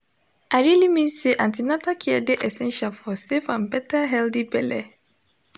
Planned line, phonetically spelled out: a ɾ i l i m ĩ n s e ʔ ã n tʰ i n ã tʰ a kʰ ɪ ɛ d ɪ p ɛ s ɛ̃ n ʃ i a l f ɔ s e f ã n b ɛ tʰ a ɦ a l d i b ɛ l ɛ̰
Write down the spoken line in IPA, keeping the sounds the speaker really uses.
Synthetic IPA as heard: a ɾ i l i m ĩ n s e ʔ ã n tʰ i n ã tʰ a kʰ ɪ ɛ d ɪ ʔ ɛ s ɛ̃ n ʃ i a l f ɔ s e f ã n b ɛ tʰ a ɦ ɛ l d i b ɛ l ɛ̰